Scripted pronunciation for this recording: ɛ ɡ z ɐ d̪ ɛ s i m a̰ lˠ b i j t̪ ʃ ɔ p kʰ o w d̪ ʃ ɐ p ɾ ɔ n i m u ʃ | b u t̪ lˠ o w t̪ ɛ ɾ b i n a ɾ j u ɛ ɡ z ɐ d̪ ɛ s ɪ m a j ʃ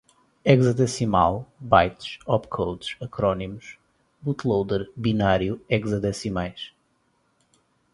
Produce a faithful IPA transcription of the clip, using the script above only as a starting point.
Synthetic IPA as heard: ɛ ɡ z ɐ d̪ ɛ s i m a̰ lˠ b a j t̪ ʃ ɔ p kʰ o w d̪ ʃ ɐ k ɾ ɔ n i m u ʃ | b u t̪ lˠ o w d̪ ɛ ɾ b i n a ɾ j u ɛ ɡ z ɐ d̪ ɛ s i m a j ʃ

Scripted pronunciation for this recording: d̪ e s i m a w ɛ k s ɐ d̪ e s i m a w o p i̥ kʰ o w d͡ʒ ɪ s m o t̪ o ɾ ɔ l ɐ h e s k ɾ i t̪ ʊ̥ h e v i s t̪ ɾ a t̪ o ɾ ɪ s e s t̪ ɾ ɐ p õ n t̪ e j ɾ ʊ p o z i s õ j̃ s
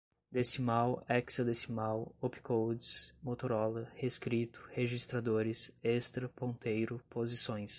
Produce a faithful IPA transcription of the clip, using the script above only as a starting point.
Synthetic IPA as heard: d̪ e s i m a w ɛ k s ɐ d̪ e s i m a w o p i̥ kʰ o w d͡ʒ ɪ s m o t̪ o ɾ ɔ l ɐ h e s k ɾ i t̪ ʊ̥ h e ʒ i s t̪ ɾ a d̪ o ɾ ɪ s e s t̪ ɾ ɐ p õ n t̪ e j ɾ ʊ p o z i s õ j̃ s

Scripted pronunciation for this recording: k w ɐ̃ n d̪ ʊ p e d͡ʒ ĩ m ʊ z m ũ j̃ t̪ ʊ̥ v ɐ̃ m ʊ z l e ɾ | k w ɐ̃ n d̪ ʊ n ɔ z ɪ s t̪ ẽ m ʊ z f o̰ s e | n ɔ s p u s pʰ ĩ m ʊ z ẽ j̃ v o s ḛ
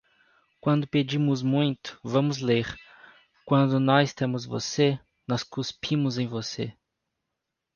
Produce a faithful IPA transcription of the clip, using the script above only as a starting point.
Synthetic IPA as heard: k w ɐ̃ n d̪ ʊ p e d͡ʒ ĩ m ʊ z m ũ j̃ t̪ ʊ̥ v ɐ̃ m ʊ z l e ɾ | k w ɐ̃ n d̪ ʊ n ɔ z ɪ s t̪ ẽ m ʊ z v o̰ s e | n ɔ s k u s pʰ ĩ m ʊ z ẽ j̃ v o s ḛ

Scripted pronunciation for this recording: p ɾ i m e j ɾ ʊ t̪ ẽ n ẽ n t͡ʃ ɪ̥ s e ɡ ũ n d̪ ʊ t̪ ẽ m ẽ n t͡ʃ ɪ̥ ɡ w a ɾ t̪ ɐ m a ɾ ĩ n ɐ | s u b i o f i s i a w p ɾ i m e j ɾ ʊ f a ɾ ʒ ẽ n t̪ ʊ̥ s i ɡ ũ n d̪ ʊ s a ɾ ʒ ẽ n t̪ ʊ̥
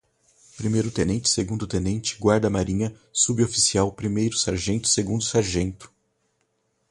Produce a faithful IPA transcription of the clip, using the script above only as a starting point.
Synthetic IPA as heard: p ɾ i m e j ɾ ʊ t̪ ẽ n ẽ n t͡ʃ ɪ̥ s e ɡ ũ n d̪ ʊ t̪ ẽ n ẽ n t͡ʃ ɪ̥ ɡ w a ɾ d̪ ɐ m a ɾ ĩ ɲ ɐ | s u b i o f i s i a w p ɾ i m e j ɾ ʊ s a ɾ ʒ ẽ n t̪ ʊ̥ s e ɡ ũ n d̪ ʊ s a ɾ ʒ ẽ n t̪ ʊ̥

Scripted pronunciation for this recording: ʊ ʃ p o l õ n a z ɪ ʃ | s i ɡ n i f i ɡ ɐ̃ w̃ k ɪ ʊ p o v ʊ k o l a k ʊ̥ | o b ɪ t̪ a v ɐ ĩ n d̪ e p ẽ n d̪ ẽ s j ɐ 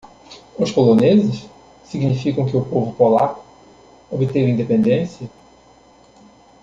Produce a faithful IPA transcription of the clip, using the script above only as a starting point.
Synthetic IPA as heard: ʊ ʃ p o l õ n e z ɪ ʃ | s i ɡ n i f i k ɐ̃ w̃ k ɪ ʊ p o v ʊ p o l a k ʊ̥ | o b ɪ t̪ e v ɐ ĩ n d̪ e p ẽ n d̪ ẽ s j ɐ

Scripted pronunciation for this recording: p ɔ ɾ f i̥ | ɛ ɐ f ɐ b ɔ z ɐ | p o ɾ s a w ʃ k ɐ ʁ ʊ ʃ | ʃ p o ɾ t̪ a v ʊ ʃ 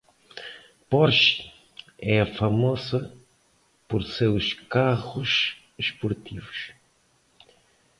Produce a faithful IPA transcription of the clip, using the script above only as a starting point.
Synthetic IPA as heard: p ɔ ɾ ʃ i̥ | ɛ ɐ f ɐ m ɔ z ɐ | p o ɾ s e w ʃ k a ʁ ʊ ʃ | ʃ p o ɾ t̪ i v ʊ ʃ

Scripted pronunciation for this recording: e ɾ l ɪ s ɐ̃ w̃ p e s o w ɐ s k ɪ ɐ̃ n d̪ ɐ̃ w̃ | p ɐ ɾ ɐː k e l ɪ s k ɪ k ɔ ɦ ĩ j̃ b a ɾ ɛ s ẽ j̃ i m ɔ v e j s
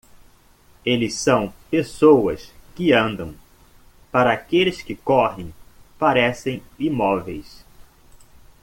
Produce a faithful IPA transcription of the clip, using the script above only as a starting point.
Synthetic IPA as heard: e l ɪ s ɐ̃ w̃ p e s o w ɐ s k ɪ ɐ̃ n d̪ ɐ̃ w̃ | p a ɾ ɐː k e l ɪ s k ɪ k ɔ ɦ ẽ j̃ p a ɾ ɛ s ẽ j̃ i m ɔ v e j s

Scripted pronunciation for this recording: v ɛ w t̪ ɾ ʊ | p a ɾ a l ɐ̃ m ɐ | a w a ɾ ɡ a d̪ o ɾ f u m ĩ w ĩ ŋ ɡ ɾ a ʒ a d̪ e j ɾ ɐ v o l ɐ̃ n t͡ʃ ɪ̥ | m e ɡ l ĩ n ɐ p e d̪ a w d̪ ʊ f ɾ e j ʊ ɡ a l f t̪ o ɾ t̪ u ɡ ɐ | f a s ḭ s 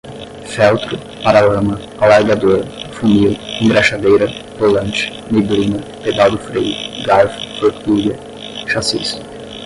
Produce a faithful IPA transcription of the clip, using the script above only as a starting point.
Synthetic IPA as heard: f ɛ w t̪ ɾ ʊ | p a ɾ a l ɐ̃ m ɐ | a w a ɾ ɡ a d̪ o ɾ f u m i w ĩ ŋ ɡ ɾ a ʃ a d̪ e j ɾ ɐ v o l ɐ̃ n t͡ʃ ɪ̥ | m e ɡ l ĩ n ɐ p e d̪ a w d̪ ʊ f ɾ e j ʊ ɡ a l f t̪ o ɾ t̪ u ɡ ɐ | ʃ a s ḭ s

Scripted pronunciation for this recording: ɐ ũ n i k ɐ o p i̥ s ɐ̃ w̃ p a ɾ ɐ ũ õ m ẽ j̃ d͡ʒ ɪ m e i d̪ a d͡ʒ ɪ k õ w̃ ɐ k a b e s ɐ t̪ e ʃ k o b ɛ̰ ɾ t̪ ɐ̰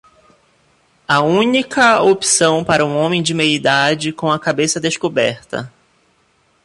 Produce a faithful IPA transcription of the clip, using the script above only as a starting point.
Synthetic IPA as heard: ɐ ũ n i k ɐ o p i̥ s ɐ̃ w̃ p a ɾ ɐ ũ õ m ẽ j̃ d͡ʒ ɪ m e i d̪ a d͡ʒ ɪ k õ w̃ ɐ k a b e s ɐ d̪ e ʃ k o b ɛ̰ ɾ t̪ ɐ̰

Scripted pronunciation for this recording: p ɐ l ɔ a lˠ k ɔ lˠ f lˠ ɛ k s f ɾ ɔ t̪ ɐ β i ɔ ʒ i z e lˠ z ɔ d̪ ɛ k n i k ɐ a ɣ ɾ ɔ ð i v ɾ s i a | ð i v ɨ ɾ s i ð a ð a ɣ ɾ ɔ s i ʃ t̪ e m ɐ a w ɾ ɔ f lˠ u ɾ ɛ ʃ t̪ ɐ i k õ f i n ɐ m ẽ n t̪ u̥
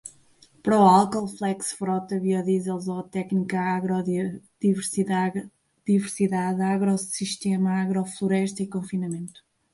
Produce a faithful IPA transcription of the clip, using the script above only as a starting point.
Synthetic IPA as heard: p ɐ ɾ ɔ a lˠ k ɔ lˠ f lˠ ɛ k s f ɾ ɔ t̪ ɐ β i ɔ ð i z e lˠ z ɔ t̪ ɛ k n i k ɐ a ɣ ɾ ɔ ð i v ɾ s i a | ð i v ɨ ɾ s i ð a ð a ɣ ɾ ɔ s i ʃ t̪ e m ɐ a ɣ ɾ ɔ f lˠ u ɾ ɛ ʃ t̪ ɐ i k õ f i n ɐ m ẽ n t̪ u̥

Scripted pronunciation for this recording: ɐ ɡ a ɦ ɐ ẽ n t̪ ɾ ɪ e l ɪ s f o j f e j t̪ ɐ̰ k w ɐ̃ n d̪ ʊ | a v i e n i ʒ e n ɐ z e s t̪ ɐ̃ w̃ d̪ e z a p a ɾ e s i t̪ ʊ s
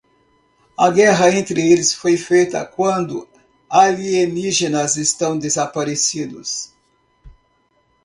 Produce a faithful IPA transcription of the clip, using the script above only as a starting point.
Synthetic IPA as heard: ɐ ɡ ɛ ɦ ɐ ẽ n t̪ ɾ ɪ e l ɪ s f o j f e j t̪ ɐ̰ k w ɐ̃ n d̪ ʊ | a v i e n i ʒ e n ɐ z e s t̪ ɐ̃ w̃ d̪ e z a p a ɾ e s i d̪ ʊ s

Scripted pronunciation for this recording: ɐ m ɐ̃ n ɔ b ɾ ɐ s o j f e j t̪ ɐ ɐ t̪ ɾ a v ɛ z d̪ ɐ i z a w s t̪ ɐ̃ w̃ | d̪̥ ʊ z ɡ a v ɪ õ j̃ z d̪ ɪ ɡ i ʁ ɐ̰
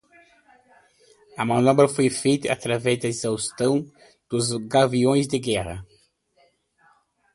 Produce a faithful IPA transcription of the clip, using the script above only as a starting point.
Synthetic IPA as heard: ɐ m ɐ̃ n ɔ b ɾ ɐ f o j f e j t̪ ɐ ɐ t̪ ɾ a v ɛ z d̪ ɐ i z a w s t̪ ɐ̃ w̃ | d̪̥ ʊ z ɡ a v i õ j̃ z d̪ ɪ ɡ ɛ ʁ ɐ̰

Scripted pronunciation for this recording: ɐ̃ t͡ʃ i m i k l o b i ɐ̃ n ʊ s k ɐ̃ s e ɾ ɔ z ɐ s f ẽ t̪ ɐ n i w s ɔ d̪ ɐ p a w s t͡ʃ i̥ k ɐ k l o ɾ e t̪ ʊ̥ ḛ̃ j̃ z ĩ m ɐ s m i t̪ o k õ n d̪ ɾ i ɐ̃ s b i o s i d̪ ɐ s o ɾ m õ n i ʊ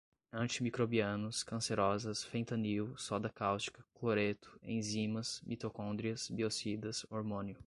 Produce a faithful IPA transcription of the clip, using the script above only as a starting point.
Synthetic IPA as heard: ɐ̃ t͡ʃ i m i k ɾ o b i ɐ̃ n ʊ s k ɐ̃ s e ɾ ɔ z ɐ s f ẽ t̪ ɐ n i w s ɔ d̪ ɐ k a w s t͡ʃ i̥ k ɐ k l o ɾ e t̪ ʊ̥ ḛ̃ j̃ z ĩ m ɐ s m i t̪ o k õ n d̪ ɾ i ɐ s b i o s i d̪ ɐ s o ɾ m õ n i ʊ

